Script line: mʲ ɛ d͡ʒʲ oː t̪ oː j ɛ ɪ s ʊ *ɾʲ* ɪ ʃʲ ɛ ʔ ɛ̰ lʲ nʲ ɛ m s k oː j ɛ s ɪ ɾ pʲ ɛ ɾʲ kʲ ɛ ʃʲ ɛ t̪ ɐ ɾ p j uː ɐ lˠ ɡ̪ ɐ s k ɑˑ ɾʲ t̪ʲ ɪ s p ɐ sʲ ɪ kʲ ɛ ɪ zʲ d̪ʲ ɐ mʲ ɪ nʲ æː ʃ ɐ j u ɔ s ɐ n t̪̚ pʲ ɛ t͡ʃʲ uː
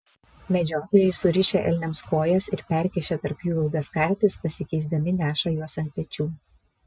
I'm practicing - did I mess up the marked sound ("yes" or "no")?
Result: no